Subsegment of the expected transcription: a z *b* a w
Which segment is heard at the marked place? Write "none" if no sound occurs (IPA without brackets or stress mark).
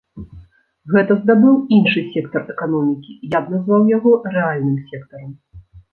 v